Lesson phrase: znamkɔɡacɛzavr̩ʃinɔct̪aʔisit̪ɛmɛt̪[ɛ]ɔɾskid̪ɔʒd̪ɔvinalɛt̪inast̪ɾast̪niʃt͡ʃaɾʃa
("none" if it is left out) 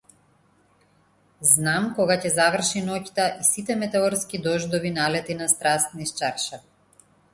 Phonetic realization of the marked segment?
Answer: ɛ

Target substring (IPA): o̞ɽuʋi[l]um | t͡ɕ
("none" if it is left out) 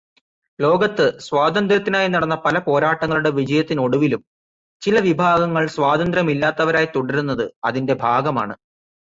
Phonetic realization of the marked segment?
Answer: l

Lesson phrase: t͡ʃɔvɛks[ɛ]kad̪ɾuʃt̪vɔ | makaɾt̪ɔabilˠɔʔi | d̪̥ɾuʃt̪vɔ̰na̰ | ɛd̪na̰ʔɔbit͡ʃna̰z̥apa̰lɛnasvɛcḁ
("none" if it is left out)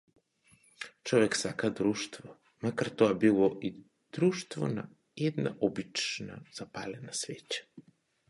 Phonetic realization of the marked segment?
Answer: a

